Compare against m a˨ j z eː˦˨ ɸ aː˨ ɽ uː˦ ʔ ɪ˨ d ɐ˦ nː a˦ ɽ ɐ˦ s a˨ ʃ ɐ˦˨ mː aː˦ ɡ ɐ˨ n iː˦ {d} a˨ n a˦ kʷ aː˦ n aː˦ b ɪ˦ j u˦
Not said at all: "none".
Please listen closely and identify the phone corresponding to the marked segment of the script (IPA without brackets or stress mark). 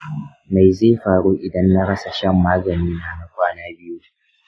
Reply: n